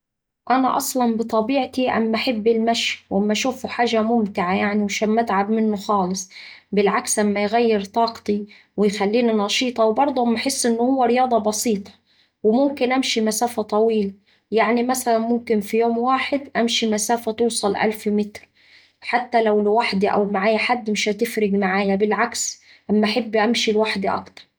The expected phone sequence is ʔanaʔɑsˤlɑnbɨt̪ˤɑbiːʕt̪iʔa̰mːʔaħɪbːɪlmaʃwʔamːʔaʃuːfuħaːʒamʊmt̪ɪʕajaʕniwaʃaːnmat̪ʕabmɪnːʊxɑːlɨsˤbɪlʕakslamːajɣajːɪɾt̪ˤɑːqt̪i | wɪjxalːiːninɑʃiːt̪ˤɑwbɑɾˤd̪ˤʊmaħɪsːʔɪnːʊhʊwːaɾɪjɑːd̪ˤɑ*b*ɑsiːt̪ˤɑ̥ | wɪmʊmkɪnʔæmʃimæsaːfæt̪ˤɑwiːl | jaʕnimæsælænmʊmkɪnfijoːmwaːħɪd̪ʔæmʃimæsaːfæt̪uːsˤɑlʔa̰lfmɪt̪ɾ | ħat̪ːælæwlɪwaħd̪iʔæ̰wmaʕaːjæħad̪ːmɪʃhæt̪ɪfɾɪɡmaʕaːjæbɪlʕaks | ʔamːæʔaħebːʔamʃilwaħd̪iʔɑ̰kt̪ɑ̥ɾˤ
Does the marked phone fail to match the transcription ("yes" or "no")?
no